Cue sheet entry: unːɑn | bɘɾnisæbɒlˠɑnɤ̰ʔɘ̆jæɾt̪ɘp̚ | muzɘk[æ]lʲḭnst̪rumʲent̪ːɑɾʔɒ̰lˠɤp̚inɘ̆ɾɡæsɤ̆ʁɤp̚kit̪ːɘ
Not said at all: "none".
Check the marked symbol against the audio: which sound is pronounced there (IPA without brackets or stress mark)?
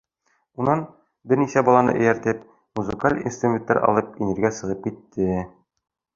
a